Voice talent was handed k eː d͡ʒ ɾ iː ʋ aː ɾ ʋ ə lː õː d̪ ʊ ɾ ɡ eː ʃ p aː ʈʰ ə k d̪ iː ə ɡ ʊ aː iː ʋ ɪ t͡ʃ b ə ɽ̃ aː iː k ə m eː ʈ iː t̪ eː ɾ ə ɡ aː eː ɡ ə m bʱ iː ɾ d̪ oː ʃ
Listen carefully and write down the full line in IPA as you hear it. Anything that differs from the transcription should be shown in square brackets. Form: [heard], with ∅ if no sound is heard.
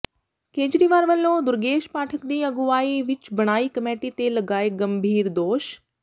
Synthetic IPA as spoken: k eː d͡ʒ ɾ iː ʋ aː ɾ ʋ ə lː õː d̪ ʊ ɾ ɡ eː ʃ p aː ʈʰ ə k d̪ iː ə ɡ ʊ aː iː ʋ ɪ t͡ʃ b ə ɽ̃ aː iː k ə m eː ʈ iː t̪ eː [l] ə ɡ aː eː ɡ ə m bʱ iː ɾ d̪ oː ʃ